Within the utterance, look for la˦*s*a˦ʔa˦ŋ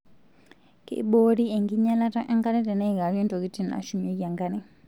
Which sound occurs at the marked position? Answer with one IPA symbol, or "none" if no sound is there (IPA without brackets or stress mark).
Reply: t